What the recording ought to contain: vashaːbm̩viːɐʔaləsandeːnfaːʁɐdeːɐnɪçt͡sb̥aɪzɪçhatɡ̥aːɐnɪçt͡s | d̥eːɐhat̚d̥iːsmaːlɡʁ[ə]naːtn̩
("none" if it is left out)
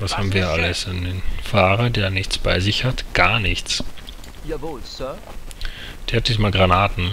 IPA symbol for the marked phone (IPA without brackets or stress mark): a